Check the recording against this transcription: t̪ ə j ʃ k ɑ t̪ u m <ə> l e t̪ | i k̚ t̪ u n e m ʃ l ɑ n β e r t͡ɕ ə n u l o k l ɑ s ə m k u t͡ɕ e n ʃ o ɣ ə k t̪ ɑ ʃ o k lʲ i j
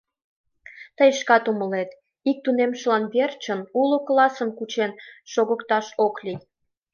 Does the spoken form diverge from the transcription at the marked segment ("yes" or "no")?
no